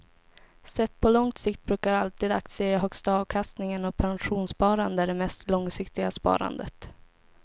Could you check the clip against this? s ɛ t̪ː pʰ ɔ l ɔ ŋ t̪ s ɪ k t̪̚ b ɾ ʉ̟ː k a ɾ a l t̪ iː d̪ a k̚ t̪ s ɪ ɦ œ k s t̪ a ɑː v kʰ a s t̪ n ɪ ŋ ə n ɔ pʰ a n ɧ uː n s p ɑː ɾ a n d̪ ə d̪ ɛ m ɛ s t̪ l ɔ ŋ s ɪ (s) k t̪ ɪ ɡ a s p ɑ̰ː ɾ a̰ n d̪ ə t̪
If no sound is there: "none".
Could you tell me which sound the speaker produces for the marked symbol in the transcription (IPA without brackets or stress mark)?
none